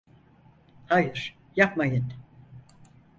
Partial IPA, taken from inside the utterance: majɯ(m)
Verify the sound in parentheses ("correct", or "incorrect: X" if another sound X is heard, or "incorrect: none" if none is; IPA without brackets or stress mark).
incorrect: n